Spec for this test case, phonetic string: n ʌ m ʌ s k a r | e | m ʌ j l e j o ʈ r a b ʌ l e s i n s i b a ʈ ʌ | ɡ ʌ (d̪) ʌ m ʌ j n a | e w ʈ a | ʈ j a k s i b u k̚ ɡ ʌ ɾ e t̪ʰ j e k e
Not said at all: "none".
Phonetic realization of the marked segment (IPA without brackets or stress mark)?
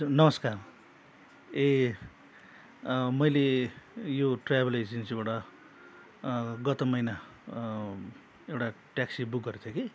t̪